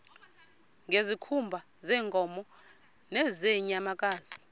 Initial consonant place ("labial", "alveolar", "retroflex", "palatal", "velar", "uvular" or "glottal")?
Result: velar